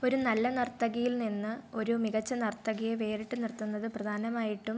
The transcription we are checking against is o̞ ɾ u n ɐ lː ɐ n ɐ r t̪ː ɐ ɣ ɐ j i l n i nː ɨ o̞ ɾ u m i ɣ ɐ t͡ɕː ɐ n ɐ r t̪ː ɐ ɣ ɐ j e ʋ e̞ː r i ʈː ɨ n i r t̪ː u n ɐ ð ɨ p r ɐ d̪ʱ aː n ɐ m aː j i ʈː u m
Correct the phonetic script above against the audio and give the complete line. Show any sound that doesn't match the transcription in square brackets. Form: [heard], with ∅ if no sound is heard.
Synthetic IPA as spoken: o̞ ɾ u n ɐ lː ɐ n ɐ r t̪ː ɐ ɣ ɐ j i l n i nː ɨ o̞ ɾ u m i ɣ ɐ t͡ɕː ɐ n ɐ r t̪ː ɐ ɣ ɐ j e ʋ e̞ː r i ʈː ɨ n i r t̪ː u [nː] ɐ ð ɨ p r ɐ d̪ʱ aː n ɐ m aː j i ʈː u m